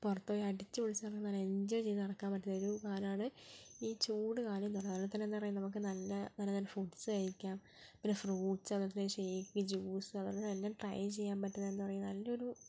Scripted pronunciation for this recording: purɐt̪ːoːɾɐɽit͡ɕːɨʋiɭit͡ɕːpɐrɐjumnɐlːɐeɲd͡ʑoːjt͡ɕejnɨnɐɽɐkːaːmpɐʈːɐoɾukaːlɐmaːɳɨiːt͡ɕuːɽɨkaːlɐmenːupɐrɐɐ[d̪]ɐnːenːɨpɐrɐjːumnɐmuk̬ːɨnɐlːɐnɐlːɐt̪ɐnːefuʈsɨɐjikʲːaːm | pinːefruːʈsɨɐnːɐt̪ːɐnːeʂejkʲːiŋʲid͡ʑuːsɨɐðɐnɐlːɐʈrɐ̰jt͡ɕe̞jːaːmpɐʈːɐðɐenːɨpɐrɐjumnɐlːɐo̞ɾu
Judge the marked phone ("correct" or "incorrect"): incorrect